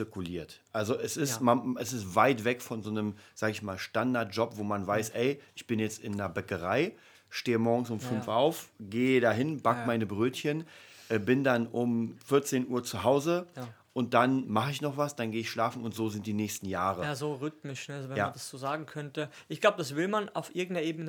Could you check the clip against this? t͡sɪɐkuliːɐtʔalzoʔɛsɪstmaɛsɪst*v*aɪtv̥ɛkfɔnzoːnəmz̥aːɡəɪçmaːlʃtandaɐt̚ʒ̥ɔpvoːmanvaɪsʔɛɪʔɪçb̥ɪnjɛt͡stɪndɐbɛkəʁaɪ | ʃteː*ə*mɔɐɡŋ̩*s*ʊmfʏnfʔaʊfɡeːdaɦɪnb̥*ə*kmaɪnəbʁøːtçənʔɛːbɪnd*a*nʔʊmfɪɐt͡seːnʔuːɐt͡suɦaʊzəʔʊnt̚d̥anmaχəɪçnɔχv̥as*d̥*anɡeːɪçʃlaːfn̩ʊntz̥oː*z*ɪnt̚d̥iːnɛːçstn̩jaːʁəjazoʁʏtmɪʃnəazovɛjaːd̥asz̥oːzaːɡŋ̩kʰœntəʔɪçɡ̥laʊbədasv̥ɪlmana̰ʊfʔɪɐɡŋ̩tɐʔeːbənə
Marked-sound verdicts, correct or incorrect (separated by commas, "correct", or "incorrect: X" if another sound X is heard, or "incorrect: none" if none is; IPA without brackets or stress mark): correct, correct, correct, incorrect: a, correct, correct, correct